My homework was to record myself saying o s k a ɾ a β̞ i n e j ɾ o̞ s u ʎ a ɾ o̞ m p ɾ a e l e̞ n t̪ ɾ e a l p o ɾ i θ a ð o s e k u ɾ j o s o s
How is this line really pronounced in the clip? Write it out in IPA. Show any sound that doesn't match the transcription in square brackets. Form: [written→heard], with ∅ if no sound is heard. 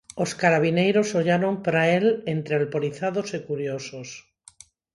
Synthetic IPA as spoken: o s k a ɾ a β̞ i n e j ɾ o̞ s [u→o] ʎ a ɾ o̞ m p ɾ a e l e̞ n t̪ ɾ e a l p o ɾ i θ a ð o s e k u ɾ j o s o s